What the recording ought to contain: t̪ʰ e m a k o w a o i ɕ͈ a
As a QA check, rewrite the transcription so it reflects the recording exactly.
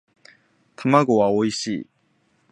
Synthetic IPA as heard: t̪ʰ a m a ɡ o w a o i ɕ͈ i